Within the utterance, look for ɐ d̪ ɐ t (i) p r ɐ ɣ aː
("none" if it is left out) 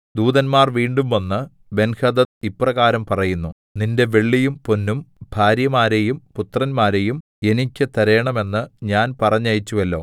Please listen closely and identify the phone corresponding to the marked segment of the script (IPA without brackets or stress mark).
i